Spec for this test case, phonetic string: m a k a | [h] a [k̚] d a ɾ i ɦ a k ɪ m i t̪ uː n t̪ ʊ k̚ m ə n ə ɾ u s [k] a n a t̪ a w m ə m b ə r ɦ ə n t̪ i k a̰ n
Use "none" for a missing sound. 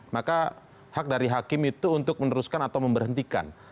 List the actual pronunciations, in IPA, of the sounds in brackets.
h, k̚, k

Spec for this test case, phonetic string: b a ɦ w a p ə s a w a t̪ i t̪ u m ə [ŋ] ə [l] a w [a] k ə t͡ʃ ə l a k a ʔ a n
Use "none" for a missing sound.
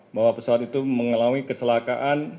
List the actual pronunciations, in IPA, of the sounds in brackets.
ŋ, l, i

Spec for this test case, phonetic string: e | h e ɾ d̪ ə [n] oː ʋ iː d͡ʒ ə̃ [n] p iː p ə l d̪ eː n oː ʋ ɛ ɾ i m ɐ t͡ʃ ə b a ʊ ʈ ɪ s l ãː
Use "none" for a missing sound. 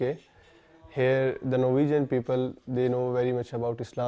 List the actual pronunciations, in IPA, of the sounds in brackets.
n, n

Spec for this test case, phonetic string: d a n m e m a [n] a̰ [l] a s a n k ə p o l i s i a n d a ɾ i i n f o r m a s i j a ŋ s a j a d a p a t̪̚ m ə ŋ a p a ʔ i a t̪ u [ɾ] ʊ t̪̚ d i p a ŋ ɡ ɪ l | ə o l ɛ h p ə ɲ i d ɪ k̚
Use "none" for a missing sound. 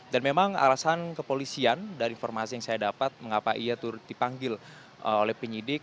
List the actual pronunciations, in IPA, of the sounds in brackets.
ŋ, l, ɾ

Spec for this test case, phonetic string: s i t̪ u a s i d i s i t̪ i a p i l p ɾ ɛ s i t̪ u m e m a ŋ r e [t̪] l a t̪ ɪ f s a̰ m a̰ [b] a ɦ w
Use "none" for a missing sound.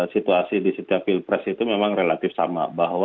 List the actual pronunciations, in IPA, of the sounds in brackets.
none, b

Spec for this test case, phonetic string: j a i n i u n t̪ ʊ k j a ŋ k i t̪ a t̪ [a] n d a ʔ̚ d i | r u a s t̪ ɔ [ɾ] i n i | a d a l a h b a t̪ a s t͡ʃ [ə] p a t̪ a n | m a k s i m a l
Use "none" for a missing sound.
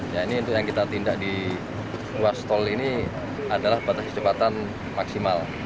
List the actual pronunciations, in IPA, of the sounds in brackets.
i, l, ə

